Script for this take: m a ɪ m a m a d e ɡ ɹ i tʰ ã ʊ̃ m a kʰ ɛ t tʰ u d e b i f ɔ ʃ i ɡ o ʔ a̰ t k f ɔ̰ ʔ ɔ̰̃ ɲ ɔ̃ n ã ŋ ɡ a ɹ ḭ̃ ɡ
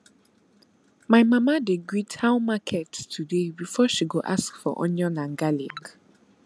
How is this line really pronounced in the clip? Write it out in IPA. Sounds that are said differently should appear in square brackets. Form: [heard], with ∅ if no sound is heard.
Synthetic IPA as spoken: m a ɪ m a m a d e ɡ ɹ i tʰ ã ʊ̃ m a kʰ ɛ t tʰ u d e b i f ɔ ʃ i ɡ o ʔ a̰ [s] k f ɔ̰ ʔ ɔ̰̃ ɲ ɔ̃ n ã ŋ ɡ a [l] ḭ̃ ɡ

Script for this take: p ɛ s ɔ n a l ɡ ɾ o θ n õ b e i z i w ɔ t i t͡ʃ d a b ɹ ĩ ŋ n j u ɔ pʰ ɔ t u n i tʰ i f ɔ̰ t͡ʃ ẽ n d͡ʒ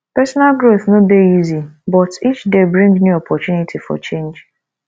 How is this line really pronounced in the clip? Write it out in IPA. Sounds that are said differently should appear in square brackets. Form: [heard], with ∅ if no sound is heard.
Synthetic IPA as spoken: p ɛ s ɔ n a l ɡ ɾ o θ n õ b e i z i [b] ɔ t i t͡ʃ d [e] b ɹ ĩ ŋ n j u ɔ pʰ ɔ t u n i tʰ i f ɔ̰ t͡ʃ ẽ n d͡ʒ

